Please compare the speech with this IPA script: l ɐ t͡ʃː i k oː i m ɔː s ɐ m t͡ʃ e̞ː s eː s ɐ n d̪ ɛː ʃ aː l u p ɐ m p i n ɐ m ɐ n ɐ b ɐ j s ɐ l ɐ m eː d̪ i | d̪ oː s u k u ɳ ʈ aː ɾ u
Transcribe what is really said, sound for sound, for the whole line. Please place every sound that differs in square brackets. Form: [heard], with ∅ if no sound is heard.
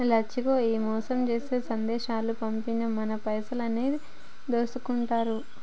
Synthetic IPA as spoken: l ɐ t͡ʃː i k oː [iː] m ɔː s ɐ m t͡ʃ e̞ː s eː s ɐ n d̪ ɛː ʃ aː l u p ɐ m p i n ɐ m ɐ n ɐ [p] ɐ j s ɐ l ɐ [n] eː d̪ i | d̪ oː s u k u ɳ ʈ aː ɾ u